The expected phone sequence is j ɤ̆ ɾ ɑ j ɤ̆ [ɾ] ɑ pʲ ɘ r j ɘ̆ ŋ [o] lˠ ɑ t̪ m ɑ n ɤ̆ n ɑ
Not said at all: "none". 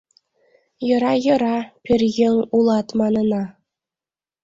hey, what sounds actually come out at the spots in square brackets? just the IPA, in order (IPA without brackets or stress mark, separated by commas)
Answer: ɾ, u